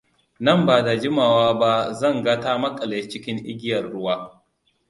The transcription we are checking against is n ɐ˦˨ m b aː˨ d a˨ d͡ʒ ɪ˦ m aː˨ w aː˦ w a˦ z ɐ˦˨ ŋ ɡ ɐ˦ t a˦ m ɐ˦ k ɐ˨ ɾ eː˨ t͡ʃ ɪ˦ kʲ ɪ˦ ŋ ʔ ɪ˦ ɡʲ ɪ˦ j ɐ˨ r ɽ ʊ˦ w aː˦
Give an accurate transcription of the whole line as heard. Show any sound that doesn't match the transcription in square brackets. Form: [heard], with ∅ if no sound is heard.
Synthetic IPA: n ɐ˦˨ m b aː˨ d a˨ d͡ʒ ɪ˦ m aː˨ w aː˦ [b] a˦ z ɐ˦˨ ŋ ɡ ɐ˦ t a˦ m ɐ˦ [kʼ] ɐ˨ [l] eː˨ t͡ʃ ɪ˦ kʲ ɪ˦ ŋ ʔ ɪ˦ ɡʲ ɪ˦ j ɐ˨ r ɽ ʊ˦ w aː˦